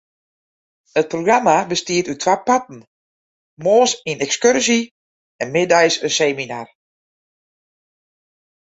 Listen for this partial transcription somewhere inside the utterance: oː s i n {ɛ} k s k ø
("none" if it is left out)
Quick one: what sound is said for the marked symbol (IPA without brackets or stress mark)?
ɛ